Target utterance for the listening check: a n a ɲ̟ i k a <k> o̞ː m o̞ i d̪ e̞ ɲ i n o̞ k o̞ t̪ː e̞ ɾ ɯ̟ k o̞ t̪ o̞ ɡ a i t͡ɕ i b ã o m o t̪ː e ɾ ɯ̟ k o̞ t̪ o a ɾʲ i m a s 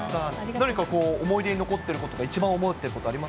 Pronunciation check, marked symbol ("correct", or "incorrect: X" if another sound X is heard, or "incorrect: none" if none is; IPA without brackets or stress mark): correct